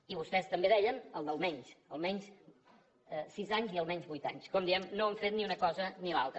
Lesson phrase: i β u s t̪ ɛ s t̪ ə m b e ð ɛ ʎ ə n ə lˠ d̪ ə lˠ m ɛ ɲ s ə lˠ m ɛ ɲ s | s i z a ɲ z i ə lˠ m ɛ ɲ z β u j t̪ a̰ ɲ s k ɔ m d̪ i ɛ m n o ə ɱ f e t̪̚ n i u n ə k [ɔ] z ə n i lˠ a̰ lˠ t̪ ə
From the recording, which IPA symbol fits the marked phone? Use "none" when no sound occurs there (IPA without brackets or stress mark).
ɔ